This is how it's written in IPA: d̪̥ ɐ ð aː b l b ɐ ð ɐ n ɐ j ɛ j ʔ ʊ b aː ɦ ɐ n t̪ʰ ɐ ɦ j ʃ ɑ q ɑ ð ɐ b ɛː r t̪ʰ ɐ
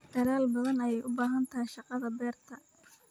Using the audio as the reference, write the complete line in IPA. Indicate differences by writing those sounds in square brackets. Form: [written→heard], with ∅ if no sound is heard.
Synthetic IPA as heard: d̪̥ ɐ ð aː [b→∅] l b ɐ ð ɐ n ɐ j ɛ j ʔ ʊ b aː ɦ ɐ n t̪ʰ ɐ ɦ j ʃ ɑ q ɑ ð ɐ b ɛː r t̪ʰ ɐ

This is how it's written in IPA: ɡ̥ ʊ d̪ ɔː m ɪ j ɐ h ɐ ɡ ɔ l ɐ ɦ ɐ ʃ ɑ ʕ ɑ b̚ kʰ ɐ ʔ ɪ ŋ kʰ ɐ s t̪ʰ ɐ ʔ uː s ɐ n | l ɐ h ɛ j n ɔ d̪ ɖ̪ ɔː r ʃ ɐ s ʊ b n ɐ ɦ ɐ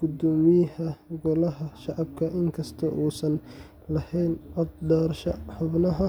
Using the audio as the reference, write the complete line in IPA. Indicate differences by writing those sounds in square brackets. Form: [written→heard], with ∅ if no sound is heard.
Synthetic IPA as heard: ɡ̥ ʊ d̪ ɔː m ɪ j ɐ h ɐ ɡ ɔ l ɐ ɦ ɐ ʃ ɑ ʕ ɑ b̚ kʰ ɐ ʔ ɪ ŋ kʰ ɐ s t̪ʰ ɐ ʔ uː s ɐ n | l ɐ h ɛ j n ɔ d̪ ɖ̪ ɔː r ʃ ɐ [s→ħ] ʊ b n ɐ ɦ ɐ

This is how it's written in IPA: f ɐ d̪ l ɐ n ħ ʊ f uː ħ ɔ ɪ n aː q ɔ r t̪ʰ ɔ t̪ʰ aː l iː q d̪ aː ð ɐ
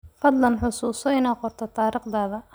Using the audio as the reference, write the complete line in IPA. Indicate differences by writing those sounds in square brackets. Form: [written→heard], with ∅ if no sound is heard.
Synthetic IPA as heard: f ɐ d̪ l ɐ n ħ ʊ [f→s] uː [ħ→s] ɔ ɪ n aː q ɔ r t̪ʰ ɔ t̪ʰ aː [l→ɾ] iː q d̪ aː ð ɐ

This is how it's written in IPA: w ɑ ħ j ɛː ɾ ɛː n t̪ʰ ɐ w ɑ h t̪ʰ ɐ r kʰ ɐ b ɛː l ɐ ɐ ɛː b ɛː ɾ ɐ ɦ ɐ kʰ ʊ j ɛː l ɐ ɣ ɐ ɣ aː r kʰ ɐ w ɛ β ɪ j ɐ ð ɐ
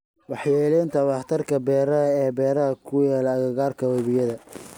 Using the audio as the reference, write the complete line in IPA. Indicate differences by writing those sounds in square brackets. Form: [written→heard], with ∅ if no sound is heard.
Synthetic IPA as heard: w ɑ ħ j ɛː [ɾ→l] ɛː n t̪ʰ ɐ w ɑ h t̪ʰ ɐ r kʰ ɐ b ɛː [l→ɾ] ɐ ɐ ɛː b ɛː ɾ ɐ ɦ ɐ kʰ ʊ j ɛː l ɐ ɣ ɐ ɣ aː r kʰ ɐ w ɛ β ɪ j ɐ ð ɐ

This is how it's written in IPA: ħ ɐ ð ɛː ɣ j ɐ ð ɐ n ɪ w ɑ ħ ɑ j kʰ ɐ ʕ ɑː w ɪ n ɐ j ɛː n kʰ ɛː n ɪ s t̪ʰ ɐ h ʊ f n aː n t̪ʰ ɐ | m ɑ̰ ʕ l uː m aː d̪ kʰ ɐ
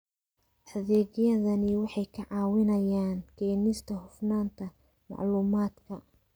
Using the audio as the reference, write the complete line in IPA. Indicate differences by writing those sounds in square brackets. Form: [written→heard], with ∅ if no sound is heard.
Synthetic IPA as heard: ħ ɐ ð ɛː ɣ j ɐ ð ɐ n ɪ w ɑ ħ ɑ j kʰ ɐ ʕ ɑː w ɪ n ɐ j [ɛː→aː] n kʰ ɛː n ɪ s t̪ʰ ɐ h ʊ f n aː n t̪ʰ ɐ | m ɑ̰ ʕ l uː m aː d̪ kʰ ɐ

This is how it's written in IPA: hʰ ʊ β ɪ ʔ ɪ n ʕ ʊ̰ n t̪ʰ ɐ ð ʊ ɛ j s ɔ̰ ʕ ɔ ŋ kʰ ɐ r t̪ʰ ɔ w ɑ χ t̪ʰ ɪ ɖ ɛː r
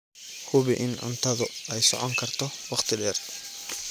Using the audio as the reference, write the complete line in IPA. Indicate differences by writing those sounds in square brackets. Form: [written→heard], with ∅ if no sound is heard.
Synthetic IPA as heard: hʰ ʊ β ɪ ʔ ɪ n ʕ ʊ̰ n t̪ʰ ɐ ð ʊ ɛ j s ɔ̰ ʕ ɔ ŋ kʰ ɐ r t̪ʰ ɔ w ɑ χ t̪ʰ ɪ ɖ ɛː r

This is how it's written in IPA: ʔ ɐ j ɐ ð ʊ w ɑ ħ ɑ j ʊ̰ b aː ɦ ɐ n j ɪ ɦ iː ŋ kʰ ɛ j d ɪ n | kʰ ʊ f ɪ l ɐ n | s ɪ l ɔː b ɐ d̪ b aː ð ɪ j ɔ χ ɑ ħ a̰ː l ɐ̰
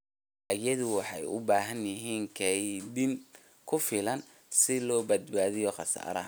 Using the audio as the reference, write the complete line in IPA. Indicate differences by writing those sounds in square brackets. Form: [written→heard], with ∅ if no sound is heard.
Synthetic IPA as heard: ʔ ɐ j ɐ ð ʊ w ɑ ħ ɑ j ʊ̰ b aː ɦ ɐ n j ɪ ɦ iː ŋ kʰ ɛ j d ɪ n | kʰ ʊ f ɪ l ɐ n | s ɪ l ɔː b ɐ d̪ b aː ð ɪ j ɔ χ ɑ [ħ→s] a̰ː [l→ɾ] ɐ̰

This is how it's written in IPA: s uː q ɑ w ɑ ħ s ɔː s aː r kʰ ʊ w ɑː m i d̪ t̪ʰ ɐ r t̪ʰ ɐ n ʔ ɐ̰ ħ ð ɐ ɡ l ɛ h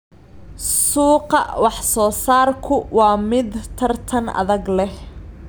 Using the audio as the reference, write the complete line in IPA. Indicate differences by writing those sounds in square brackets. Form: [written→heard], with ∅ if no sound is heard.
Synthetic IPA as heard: s uː q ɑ w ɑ ħ s ɔː s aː r kʰ ʊ w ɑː m [i→ɪ] d̪ t̪ʰ ɐ r t̪ʰ ɐ n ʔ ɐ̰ [ħ→∅] ð ɐ ɡ l ɛ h

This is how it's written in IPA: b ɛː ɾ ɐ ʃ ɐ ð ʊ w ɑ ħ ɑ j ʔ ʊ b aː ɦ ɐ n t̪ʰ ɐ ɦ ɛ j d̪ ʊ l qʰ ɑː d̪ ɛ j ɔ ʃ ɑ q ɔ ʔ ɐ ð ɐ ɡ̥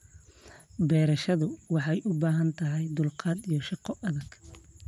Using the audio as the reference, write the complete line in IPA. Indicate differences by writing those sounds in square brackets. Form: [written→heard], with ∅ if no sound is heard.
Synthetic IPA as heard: b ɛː ɾ ɐ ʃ ɐ ð ʊ w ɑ ħ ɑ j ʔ ʊ b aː ɦ ɐ n t̪ʰ ɐ ɦ ɛ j d̪ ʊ l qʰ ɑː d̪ [ɛ→i] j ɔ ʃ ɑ q ɔ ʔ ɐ ð ɐ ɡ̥

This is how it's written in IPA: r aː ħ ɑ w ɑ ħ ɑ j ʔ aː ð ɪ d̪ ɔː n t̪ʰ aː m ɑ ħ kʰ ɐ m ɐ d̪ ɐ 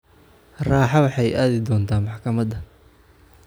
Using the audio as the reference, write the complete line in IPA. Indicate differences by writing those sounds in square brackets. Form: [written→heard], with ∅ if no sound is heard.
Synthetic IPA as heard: r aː ħ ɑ w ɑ ħ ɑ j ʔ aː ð ɪ d̪ ɔː n t̪ʰ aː m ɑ ħ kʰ ɐ m ɐ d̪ ɐ

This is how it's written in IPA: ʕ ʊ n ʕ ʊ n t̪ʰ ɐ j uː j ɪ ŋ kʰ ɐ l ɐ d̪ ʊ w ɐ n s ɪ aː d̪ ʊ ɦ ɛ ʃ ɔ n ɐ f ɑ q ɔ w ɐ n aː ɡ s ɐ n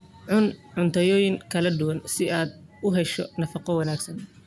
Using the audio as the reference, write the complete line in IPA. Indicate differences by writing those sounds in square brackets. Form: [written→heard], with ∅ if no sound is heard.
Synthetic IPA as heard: ʕ ʊ n ʕ ʊ n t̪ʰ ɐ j [uː→ɔː] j ɪ ŋ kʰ ɐ l ɐ d̪ ʊ w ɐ n s ɪ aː d̪ ʊ ɦ ɛ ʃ ɔ n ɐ f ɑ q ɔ w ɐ n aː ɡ s ɐ n

